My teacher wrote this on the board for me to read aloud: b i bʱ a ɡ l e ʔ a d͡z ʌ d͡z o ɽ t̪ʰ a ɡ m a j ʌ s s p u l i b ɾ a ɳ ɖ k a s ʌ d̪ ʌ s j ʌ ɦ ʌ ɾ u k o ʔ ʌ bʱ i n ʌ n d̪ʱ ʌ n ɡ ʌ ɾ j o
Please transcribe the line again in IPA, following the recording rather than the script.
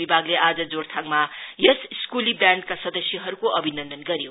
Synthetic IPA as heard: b i bʱ a ɡ l e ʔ a d͡z ʌ d͡z o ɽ t̪ʰ a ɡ m a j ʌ s s k u l i b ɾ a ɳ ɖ k a s ʌ d̪ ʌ s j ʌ ɦ ʌ ɾ u k o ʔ ʌ bʱ i n ʌ n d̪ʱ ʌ n ɡ ʌ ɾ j o